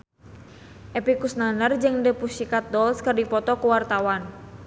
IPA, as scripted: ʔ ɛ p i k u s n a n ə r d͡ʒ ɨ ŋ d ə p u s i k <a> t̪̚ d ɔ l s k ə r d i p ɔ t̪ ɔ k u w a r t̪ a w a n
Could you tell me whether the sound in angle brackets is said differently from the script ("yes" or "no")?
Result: no